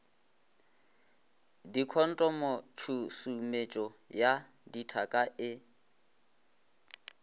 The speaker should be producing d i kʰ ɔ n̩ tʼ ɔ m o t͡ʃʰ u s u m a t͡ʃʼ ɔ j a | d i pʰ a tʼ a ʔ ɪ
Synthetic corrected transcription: d i kʰ ɔ n̩ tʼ ɔ m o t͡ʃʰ u s u m e t͡ʃʼ ɔ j a | d i tʰ a kʼ a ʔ ɪ